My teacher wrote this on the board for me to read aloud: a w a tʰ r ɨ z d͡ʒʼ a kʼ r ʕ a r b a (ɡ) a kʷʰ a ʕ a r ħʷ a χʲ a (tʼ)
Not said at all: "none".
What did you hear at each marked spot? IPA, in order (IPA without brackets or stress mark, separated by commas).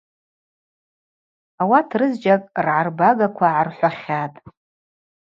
ɡ, tʼ